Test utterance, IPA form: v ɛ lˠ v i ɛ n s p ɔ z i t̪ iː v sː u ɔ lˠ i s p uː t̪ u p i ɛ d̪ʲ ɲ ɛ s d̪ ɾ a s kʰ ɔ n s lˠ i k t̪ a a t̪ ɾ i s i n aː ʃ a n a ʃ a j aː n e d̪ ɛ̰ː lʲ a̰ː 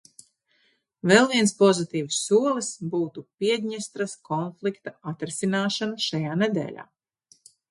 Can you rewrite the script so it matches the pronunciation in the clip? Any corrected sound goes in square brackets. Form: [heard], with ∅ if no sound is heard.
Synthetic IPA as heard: v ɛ lˠ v i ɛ n s p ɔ z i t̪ iː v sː u ɔ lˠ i s [b] uː t̪ u p i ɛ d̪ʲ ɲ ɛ s [t̪] ɾ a s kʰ ɔ n [f] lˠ i k t̪ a a t̪ ɾ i s i n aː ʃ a n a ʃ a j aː n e d̪ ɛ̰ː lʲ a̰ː